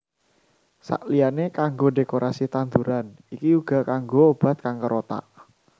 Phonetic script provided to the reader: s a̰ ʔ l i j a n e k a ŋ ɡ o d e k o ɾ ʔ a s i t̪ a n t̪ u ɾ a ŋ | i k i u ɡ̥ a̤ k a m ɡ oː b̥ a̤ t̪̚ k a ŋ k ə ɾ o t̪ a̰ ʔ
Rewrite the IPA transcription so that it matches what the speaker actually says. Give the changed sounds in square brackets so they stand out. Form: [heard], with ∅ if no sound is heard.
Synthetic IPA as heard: s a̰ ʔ l i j a n e k a ŋ ɡ o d e k o ɾ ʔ a s i t̪ a n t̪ u ɾ a [n] | i k i u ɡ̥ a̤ k a [ŋ] ɡ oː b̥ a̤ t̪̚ k a ŋ k ə ɾ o t̪ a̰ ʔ